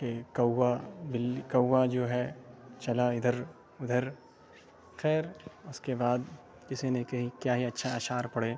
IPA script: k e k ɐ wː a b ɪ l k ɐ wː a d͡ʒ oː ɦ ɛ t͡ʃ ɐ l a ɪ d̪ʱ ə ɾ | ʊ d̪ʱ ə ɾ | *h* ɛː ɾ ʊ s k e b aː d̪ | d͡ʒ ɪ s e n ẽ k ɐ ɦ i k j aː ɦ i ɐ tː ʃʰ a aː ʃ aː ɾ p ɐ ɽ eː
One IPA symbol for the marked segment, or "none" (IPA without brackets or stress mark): x